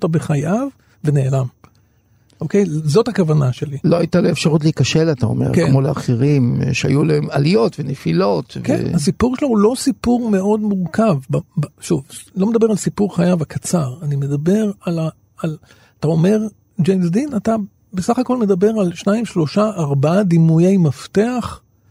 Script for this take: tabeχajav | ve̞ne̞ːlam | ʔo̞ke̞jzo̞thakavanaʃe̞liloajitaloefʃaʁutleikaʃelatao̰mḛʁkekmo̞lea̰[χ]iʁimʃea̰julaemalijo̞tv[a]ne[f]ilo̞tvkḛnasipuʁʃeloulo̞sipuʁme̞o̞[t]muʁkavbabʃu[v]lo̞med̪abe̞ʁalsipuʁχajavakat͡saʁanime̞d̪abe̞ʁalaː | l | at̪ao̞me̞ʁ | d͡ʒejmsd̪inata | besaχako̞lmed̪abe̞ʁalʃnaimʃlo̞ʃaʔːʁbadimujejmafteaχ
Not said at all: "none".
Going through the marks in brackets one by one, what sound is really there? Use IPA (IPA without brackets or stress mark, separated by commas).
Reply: χ, e, f, d, v